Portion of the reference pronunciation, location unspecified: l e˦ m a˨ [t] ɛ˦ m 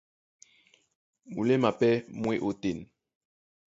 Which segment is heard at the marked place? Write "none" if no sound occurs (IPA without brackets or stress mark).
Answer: p